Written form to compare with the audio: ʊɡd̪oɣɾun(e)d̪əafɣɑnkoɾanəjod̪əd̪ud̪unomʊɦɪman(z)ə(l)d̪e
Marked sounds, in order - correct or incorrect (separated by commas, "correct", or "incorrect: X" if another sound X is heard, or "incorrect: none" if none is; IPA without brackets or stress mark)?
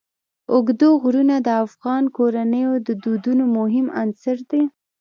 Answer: incorrect: a, incorrect: s, incorrect: ɾ